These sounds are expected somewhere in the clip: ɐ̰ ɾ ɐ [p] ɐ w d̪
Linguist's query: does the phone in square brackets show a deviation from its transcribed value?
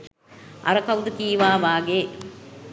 yes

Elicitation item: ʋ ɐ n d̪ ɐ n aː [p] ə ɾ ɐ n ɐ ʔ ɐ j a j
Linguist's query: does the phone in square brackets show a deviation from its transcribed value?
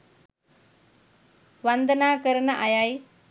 yes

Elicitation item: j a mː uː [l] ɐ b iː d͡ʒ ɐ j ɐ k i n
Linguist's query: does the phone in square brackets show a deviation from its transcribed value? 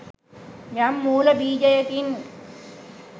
no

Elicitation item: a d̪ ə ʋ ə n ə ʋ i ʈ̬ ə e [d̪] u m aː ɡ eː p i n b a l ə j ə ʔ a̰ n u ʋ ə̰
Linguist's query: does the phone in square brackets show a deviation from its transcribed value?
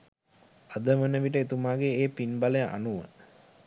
yes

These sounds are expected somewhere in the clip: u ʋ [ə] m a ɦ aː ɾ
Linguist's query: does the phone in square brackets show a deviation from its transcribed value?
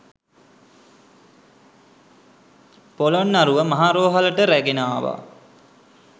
no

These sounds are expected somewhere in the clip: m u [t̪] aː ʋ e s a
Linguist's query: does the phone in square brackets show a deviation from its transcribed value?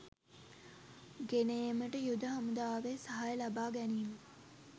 yes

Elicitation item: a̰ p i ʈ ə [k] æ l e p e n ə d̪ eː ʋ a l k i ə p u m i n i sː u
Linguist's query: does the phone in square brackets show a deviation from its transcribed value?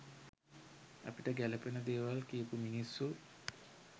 yes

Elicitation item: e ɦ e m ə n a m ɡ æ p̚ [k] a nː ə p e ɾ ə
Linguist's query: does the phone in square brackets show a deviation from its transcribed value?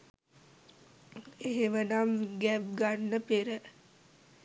yes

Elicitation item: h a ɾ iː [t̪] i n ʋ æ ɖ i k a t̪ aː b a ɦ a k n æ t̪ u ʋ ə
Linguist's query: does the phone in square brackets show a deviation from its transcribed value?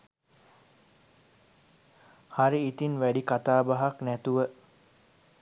no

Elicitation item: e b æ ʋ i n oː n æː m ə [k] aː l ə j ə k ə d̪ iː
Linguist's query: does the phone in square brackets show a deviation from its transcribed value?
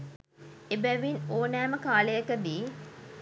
no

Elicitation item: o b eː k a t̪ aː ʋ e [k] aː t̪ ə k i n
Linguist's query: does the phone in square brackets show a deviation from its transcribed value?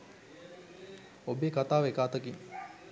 no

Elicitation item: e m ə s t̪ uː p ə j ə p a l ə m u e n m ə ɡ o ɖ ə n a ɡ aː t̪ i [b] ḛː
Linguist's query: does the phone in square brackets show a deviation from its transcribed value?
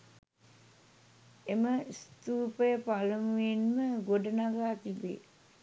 no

